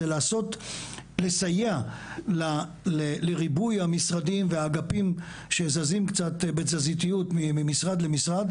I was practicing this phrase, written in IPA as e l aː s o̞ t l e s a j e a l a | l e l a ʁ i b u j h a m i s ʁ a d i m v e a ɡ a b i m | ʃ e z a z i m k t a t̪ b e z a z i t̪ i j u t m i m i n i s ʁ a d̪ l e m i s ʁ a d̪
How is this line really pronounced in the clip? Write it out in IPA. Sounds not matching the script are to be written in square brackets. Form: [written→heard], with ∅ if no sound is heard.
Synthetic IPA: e l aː s o̞ t l e s a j e a l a | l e l [a→e] ʁ i b u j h a m i s ʁ a d i m v e a ɡ a [b→p] i m | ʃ e z a z i m k [t→t͡s] a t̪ b e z a z i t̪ i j u t m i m i [n→m] i s ʁ a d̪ l e m i s ʁ a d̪